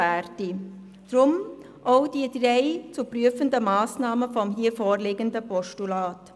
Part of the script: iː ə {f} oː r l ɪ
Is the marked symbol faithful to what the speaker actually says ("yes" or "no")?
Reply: yes